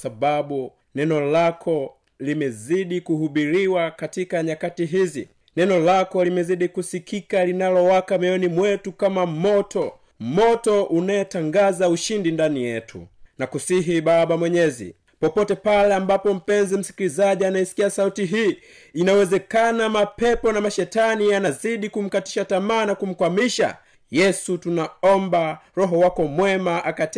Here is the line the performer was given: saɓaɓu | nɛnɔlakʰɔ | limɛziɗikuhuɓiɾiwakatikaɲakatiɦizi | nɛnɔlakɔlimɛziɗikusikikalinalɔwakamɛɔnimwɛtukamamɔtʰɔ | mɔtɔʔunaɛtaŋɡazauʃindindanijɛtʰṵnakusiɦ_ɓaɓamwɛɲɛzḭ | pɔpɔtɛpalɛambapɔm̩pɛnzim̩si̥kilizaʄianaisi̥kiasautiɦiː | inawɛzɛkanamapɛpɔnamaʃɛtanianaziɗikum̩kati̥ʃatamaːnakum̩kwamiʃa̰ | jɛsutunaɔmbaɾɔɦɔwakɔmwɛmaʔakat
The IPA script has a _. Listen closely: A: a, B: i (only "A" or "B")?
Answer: B